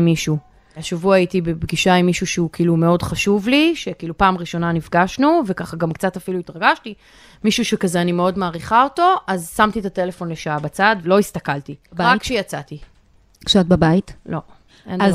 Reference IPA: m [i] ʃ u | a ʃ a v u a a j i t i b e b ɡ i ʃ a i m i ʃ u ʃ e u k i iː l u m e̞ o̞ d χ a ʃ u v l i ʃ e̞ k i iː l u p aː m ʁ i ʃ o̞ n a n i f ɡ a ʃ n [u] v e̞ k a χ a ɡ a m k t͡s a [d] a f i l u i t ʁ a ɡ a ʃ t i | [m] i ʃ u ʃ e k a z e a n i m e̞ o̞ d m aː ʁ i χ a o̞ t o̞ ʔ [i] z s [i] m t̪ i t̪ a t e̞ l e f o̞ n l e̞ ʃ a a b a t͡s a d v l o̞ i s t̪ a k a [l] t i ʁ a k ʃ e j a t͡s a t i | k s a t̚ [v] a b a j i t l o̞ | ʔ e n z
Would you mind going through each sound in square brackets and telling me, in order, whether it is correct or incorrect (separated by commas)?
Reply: correct, correct, incorrect, correct, incorrect, incorrect, correct, incorrect